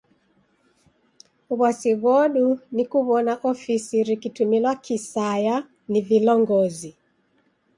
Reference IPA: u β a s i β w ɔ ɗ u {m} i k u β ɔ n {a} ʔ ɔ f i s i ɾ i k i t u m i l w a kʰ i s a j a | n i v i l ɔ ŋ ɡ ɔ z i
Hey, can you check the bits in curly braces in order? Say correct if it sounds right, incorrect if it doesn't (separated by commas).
incorrect, correct